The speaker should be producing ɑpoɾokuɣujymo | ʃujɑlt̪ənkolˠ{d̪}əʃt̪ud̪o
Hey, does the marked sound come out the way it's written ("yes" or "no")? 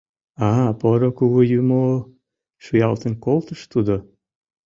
no